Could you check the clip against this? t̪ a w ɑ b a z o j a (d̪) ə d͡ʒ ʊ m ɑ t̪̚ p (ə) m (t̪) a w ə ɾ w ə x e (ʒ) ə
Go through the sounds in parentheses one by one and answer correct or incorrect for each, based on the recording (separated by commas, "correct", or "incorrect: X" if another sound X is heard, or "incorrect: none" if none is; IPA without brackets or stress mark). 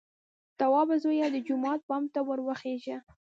correct, incorrect: ɑ, correct, correct